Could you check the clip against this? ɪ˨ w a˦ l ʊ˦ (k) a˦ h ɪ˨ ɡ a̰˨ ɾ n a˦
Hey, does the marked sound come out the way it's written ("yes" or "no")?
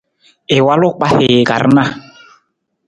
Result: no